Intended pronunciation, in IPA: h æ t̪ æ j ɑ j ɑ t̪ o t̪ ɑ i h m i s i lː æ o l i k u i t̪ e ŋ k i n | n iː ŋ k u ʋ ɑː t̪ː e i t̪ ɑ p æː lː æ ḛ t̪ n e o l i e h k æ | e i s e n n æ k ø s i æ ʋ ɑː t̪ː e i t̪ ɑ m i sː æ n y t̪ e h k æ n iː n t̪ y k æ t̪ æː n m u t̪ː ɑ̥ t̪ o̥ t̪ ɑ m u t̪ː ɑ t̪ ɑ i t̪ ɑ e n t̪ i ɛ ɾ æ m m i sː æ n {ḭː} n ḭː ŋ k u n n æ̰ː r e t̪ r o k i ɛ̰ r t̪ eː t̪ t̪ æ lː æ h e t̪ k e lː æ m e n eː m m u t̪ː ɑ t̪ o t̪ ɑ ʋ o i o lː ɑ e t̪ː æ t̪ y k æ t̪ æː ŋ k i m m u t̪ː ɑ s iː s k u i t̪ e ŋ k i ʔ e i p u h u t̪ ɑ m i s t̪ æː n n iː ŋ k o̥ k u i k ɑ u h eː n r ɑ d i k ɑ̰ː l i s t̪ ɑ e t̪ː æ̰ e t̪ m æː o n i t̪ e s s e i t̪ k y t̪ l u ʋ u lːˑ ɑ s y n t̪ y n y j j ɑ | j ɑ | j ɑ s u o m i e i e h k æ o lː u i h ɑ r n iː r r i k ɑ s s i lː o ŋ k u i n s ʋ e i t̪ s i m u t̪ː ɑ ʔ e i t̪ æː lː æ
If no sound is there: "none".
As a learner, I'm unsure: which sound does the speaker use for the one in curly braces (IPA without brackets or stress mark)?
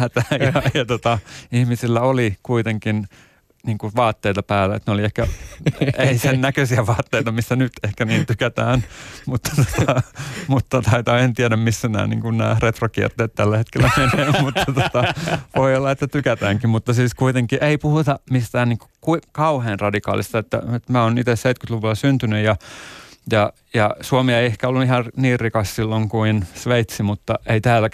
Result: æ̰ː